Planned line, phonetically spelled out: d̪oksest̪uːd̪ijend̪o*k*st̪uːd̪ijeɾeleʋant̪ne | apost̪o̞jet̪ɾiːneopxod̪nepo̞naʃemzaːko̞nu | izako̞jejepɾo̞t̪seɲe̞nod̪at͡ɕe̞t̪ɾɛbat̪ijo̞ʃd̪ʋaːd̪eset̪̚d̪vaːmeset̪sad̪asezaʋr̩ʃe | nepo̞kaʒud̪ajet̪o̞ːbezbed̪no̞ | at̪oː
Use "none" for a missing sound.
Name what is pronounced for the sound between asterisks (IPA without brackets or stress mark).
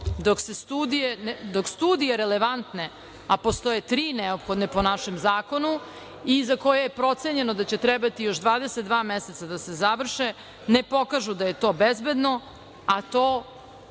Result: k